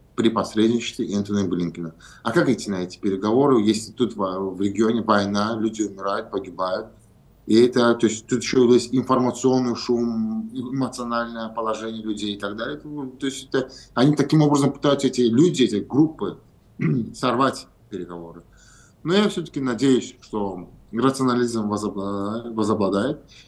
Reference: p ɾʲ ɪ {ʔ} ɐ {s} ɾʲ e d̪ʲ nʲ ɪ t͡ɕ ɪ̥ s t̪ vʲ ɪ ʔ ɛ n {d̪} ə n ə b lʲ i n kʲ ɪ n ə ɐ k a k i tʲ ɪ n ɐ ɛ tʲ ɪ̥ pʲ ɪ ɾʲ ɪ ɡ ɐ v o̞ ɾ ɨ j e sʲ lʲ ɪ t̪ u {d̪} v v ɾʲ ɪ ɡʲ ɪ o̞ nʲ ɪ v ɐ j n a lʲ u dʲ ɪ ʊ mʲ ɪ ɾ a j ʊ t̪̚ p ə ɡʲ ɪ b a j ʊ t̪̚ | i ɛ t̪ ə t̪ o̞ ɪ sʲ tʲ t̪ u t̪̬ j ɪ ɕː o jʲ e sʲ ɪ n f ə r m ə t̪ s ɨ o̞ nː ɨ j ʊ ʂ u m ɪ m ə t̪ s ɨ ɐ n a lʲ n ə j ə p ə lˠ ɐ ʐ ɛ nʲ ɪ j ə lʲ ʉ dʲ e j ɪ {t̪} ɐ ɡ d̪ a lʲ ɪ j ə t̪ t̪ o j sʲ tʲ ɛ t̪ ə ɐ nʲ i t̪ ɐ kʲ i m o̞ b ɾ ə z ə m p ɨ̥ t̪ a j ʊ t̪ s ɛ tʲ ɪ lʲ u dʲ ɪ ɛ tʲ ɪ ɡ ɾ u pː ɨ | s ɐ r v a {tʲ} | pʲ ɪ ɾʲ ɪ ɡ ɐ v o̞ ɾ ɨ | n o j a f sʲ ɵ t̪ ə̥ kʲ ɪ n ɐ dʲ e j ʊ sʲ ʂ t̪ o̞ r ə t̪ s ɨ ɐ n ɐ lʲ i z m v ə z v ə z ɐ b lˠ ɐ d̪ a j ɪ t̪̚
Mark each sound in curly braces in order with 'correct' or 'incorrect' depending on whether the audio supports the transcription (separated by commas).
incorrect, correct, incorrect, incorrect, correct, correct